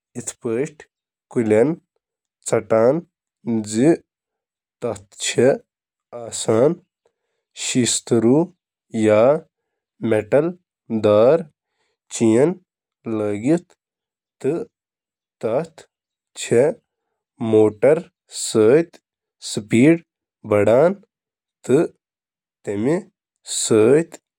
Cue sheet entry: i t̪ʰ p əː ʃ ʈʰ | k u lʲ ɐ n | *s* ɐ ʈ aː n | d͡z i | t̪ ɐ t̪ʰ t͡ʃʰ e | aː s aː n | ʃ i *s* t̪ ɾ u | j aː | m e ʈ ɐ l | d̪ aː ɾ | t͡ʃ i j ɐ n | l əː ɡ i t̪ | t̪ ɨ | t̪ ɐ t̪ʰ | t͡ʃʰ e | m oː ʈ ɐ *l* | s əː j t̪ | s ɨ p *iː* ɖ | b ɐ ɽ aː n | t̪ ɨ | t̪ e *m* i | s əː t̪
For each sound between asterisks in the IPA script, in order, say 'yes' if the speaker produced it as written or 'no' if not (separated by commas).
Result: no, yes, no, yes, yes